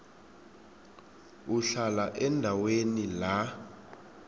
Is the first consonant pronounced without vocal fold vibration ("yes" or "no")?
yes